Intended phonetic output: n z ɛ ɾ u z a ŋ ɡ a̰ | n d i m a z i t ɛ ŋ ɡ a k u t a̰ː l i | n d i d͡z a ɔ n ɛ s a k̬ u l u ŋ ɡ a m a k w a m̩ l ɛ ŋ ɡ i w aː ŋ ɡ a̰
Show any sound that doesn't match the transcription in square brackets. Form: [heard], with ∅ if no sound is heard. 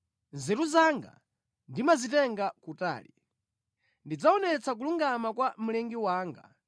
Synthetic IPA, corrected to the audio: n z ɛ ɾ u z a ŋ ɡ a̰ | n d i m a z i t ɛ ŋ ɡ a k u t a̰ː l i | n d i d͡z a ɔ n ɛ [t͡s] a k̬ u l u ŋ ɡ a m a k w a m̩ l ɛ ŋ ɡ i w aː ŋ ɡ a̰